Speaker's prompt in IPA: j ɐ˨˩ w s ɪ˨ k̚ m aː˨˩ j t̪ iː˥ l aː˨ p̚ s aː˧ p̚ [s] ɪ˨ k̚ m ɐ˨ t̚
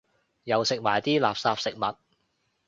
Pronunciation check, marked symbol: correct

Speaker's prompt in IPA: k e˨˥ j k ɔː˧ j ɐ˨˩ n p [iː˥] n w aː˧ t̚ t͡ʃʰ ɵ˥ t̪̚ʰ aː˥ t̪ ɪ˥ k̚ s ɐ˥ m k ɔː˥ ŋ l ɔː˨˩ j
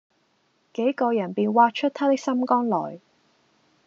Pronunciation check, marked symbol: incorrect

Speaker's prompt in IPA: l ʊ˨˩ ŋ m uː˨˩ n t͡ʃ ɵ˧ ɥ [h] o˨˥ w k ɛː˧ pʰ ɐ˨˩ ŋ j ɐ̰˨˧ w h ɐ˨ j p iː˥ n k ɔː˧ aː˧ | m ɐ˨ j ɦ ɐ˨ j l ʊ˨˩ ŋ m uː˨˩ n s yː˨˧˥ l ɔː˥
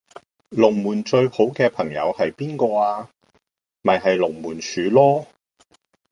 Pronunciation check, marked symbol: correct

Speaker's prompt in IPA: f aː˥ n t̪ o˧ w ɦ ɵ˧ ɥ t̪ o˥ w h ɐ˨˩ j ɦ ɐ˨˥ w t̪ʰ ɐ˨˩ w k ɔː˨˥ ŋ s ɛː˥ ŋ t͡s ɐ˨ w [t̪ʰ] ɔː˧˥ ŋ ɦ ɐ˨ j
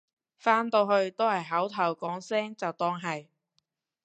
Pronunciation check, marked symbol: incorrect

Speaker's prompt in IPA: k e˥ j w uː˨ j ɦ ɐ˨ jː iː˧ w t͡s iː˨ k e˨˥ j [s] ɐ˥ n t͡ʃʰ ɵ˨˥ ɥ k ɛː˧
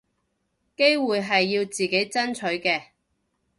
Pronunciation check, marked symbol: incorrect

